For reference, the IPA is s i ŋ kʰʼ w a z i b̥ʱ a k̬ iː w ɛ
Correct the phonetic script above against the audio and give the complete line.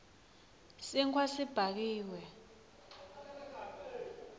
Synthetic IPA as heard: s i ŋ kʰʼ w a s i b̥ʱ a k̬ iː w ɛ